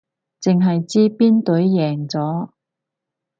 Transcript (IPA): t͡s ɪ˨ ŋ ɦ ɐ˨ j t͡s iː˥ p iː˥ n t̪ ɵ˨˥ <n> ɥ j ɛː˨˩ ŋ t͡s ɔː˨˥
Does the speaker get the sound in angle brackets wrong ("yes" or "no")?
yes